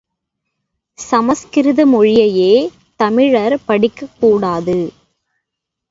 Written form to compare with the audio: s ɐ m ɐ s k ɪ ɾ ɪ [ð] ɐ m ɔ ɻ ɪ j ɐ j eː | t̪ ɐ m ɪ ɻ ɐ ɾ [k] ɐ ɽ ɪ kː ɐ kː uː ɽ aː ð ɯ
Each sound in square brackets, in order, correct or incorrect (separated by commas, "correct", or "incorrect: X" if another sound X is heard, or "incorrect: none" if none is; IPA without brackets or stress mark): correct, incorrect: p